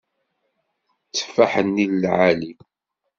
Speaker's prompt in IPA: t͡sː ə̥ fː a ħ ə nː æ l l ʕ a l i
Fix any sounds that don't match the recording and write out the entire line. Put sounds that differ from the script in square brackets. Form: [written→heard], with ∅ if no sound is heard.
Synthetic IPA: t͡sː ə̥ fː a ħ ə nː [æ→i] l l ʕ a l i

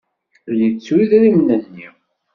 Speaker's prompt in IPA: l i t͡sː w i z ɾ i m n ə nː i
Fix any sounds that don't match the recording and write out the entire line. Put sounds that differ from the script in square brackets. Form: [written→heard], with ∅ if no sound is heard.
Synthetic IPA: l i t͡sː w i [z→ð] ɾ i m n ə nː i

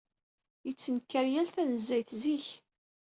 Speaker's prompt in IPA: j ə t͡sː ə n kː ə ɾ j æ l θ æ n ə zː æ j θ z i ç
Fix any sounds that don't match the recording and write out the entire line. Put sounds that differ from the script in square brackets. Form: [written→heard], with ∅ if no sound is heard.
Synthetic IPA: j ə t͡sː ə n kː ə ɾ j æ l θ æ n ə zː æ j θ z i ç

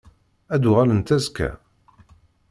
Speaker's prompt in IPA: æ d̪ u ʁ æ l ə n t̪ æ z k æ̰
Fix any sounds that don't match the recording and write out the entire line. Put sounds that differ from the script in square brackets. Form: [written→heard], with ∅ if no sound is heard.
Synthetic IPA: æ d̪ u ʁ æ l ə n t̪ æ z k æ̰

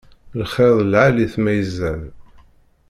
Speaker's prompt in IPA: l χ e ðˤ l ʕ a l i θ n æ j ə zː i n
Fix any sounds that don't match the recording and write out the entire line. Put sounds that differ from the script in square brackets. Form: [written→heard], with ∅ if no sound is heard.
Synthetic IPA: l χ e ðˤ l ʕ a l i θ [n→m] æ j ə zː [i→æ] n

